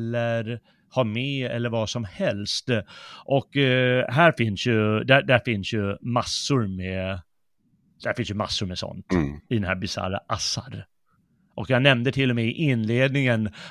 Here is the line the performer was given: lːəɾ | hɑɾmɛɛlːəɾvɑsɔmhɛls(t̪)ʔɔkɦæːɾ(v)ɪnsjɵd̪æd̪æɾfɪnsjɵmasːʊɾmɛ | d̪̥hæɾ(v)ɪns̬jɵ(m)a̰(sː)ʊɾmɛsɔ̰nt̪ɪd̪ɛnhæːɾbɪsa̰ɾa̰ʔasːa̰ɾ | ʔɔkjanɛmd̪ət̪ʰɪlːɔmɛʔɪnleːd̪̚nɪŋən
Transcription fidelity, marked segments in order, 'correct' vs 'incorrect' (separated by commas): correct, incorrect, incorrect, correct, correct